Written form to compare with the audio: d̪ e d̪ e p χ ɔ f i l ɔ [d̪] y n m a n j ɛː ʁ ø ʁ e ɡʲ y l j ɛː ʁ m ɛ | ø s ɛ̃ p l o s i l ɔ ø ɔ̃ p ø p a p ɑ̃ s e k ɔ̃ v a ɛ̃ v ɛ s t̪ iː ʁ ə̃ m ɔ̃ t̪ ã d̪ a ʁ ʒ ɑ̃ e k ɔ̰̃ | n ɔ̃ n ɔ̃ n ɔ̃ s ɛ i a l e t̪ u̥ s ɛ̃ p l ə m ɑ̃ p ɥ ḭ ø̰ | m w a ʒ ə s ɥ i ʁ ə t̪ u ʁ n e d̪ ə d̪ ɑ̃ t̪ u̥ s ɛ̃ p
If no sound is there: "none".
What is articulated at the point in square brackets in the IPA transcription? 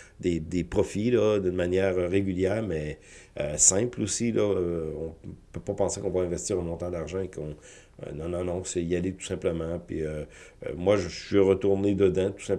d̪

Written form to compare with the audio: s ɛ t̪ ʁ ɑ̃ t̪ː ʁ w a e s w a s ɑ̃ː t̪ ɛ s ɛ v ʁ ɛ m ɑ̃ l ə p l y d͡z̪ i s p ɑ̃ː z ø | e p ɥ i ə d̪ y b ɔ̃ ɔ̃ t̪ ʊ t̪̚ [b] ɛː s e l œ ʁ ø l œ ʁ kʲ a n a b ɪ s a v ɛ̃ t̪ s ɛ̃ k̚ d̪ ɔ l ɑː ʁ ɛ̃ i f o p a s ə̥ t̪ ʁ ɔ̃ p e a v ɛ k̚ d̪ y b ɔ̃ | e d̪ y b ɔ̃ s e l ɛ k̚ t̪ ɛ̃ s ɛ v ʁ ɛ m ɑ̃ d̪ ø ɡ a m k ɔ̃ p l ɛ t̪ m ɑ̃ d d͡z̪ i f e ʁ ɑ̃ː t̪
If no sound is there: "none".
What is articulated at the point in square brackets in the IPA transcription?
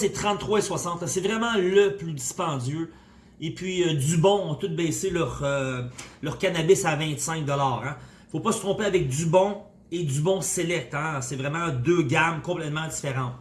b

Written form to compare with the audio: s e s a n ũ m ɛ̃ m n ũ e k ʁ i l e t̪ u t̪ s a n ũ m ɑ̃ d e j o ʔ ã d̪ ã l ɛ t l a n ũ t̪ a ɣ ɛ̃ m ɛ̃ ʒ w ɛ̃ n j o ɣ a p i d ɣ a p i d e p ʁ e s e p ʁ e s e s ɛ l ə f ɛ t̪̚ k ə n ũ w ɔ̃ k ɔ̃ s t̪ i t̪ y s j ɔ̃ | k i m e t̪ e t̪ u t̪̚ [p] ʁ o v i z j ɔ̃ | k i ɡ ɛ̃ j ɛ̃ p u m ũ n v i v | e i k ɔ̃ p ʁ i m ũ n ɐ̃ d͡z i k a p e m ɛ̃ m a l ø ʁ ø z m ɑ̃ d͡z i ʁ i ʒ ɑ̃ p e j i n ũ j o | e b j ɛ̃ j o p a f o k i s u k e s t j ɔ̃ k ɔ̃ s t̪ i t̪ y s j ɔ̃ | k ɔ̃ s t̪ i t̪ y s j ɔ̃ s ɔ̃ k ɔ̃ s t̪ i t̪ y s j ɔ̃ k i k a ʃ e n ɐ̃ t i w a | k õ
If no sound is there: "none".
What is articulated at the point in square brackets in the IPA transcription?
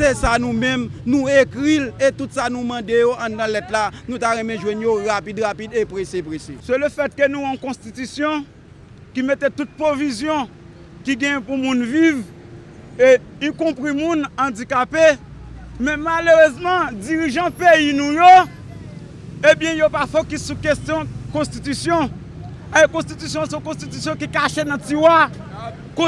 p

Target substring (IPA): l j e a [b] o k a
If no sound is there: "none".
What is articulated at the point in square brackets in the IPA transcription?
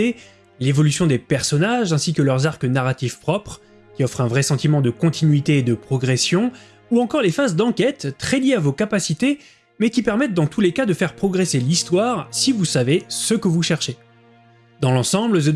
v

